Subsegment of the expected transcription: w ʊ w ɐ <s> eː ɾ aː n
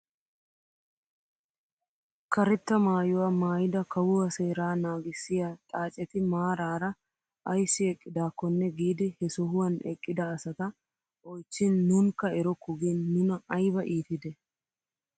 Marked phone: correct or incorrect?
correct